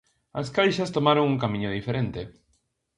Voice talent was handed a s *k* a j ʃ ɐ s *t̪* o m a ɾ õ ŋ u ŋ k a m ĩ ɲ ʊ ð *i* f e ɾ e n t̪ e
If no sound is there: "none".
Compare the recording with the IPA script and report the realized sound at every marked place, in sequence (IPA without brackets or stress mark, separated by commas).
k, t̪, i